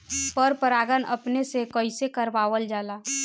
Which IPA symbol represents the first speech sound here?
p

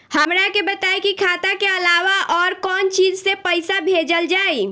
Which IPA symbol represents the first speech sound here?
h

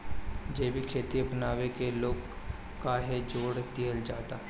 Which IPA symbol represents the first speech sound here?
d͡ʒ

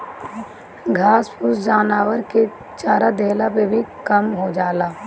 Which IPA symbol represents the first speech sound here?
ɡʱ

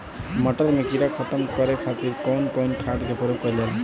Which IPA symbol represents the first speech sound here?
m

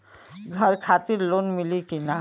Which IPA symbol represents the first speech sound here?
ɡʱ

